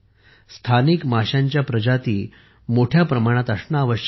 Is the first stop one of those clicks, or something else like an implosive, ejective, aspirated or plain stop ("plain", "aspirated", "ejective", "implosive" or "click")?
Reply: aspirated